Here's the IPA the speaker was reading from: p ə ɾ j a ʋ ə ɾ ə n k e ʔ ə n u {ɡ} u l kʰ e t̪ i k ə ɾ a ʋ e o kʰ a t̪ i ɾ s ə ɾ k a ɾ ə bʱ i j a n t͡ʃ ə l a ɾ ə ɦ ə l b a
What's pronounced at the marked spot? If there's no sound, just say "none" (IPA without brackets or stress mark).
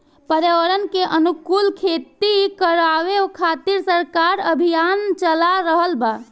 k